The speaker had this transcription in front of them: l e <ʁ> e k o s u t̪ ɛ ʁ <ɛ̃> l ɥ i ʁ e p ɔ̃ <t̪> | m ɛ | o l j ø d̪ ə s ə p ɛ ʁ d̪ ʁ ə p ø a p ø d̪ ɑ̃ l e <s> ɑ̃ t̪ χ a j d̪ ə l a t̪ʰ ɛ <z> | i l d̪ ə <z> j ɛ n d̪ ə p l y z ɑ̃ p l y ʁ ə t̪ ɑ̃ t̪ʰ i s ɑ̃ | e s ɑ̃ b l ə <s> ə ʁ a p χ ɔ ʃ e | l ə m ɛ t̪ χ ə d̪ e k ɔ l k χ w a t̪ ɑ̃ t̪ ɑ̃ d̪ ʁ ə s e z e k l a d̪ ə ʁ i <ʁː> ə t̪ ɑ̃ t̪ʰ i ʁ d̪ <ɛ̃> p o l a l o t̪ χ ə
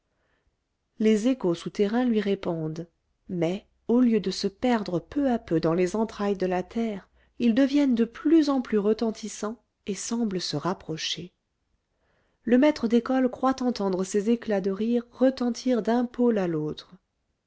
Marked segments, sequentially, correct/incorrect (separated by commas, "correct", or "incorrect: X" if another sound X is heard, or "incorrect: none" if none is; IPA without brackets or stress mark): incorrect: z, correct, incorrect: d̪, incorrect: z, incorrect: ʁ, incorrect: v, correct, correct, correct